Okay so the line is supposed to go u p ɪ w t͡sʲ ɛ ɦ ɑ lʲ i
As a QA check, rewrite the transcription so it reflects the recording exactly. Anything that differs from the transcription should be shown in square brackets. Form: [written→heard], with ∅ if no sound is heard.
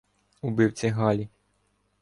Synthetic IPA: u [p→b] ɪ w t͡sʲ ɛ ɦ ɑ lʲ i